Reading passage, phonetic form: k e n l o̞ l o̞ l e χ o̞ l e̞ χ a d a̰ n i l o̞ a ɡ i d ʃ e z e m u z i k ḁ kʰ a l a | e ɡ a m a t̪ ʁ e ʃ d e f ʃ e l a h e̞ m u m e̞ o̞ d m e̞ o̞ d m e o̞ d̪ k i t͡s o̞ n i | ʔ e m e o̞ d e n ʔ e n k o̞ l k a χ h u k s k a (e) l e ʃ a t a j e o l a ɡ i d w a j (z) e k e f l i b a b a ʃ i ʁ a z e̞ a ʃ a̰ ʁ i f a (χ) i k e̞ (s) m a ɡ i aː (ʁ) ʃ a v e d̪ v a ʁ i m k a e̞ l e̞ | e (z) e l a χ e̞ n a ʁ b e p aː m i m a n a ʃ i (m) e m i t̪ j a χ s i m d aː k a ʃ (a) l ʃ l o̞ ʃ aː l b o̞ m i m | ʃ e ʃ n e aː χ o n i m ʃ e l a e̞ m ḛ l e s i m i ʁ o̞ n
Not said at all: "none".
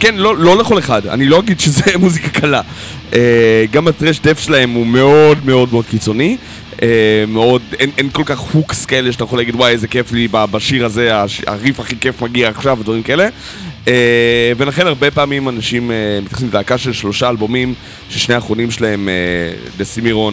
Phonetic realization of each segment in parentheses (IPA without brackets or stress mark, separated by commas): e, z, χ, f, χ, v, m, e